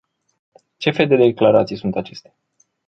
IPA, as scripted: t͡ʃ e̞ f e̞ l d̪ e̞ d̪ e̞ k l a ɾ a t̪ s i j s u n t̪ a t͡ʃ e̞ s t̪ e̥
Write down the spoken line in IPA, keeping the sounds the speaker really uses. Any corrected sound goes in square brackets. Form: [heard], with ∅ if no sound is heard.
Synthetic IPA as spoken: t͡ʃ e̞ f e̞ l d̪ e̞ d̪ e̞ k l a ɾ a t̪ s i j s u n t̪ a t͡ʃ e̞ s t̪ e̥